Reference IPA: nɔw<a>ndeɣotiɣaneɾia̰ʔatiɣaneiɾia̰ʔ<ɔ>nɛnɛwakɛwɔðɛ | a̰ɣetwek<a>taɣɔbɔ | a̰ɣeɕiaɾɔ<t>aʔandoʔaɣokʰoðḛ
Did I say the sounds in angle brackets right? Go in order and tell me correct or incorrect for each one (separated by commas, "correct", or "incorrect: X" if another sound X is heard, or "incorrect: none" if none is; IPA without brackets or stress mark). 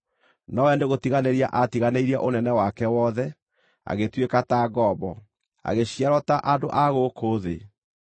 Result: incorrect: ɛ, incorrect: o, correct, correct